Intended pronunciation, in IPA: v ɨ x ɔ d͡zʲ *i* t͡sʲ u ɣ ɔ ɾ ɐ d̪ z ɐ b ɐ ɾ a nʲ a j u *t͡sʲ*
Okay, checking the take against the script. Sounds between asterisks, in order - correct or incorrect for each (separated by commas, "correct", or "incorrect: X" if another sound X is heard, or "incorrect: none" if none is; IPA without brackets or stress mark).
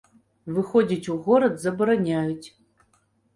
correct, correct